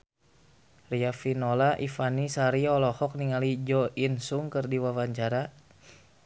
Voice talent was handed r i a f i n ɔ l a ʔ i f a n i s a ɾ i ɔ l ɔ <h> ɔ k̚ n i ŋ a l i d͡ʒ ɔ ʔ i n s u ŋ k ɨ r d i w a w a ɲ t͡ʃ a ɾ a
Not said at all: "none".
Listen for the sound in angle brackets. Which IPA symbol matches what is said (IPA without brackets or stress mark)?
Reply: h